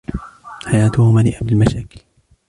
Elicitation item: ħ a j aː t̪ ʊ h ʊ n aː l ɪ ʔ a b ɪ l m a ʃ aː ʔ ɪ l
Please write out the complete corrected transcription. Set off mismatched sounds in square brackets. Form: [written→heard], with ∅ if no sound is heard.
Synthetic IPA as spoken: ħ a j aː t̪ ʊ h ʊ [n→m] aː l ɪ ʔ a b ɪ l m a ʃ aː [ʔ→k] ɪ l